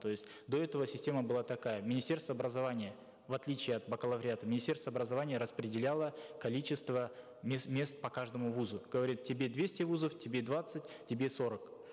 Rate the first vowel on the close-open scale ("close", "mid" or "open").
mid